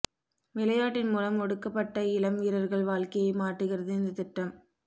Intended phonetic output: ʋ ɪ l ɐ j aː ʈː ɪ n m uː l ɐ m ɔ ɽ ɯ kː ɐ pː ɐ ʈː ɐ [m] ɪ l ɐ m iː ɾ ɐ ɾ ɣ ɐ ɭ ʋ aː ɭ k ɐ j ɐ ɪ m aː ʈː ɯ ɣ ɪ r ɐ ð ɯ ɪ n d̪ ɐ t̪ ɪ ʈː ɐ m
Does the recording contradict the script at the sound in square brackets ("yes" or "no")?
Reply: yes